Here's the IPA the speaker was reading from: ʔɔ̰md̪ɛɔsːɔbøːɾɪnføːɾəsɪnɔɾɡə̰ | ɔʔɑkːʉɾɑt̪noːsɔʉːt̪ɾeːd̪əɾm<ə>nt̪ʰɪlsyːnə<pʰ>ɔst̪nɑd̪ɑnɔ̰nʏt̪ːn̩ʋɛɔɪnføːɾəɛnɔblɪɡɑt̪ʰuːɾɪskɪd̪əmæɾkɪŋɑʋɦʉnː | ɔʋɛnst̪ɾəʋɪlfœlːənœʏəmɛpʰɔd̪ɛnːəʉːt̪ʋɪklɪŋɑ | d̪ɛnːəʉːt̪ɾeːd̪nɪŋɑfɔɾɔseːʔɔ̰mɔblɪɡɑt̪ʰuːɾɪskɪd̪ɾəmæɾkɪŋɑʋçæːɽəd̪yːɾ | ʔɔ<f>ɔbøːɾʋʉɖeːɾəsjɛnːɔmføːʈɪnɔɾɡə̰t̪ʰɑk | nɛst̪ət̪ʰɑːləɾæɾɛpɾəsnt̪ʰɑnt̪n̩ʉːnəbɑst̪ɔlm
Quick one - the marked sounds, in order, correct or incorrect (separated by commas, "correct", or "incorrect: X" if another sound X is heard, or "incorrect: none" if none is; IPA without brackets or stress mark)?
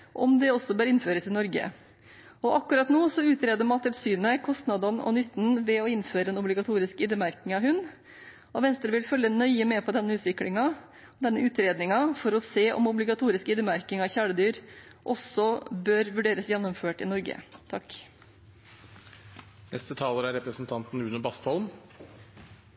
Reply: incorrect: ɑ, incorrect: kʰ, incorrect: s